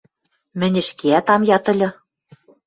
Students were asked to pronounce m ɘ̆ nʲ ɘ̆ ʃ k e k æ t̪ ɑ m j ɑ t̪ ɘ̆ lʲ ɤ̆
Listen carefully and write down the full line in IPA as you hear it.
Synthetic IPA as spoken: m ɘ̆ nʲ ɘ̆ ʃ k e æ t̪ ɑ m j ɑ t̪ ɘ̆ lʲ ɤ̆